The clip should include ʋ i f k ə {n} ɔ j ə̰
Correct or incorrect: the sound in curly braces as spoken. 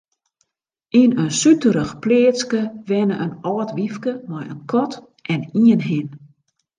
incorrect: m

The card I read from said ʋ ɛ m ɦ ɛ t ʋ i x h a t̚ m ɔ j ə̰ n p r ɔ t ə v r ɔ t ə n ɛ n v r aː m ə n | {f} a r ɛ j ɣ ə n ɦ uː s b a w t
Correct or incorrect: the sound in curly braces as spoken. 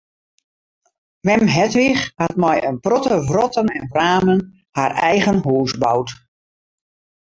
incorrect: h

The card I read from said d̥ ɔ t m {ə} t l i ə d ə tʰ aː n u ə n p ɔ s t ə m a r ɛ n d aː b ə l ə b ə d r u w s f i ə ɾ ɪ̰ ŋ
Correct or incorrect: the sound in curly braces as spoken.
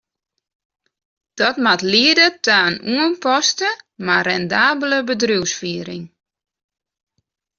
incorrect: a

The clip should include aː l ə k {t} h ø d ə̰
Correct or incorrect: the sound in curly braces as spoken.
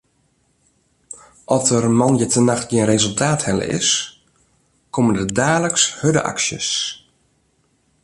incorrect: s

